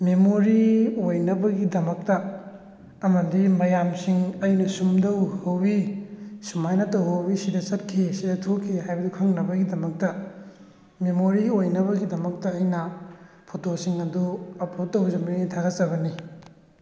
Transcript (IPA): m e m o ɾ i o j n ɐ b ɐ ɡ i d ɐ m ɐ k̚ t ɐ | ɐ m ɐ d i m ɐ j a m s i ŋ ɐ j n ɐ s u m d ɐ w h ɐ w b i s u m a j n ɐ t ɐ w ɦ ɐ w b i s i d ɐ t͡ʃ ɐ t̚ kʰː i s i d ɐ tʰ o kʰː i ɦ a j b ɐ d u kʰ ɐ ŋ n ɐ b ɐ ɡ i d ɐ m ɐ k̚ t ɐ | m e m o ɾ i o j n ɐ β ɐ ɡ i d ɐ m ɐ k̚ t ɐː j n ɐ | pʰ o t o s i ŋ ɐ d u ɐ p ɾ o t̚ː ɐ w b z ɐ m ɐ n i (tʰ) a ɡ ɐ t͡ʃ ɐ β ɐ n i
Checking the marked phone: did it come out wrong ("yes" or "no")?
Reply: no